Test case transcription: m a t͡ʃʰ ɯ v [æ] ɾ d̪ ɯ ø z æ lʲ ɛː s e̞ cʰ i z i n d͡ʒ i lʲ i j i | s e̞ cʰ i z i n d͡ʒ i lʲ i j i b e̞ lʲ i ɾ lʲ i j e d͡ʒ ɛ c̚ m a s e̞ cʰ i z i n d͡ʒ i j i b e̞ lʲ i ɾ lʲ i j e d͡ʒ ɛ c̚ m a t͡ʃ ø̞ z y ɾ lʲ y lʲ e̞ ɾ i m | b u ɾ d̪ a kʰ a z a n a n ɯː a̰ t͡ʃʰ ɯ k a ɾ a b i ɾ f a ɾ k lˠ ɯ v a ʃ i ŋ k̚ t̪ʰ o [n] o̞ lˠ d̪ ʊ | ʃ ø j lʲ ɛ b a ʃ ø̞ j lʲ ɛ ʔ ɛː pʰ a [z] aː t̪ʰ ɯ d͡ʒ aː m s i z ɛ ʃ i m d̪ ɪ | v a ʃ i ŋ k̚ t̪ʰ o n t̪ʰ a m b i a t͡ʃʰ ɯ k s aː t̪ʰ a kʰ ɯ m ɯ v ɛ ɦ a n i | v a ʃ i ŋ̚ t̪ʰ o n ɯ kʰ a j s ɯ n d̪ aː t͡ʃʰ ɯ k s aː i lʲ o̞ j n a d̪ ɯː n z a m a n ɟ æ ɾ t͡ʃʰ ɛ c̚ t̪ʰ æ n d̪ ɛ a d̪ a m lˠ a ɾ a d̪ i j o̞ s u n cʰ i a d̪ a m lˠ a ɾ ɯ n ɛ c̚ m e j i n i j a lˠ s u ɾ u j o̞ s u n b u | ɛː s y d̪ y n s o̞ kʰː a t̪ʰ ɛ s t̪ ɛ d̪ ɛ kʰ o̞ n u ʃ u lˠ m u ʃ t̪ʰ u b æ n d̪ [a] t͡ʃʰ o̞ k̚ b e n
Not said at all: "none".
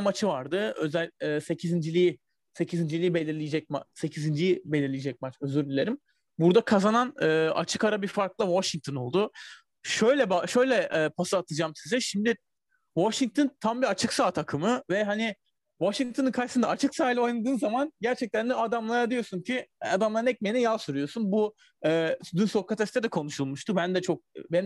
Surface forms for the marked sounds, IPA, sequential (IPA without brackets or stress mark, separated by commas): a, n, s, ɛ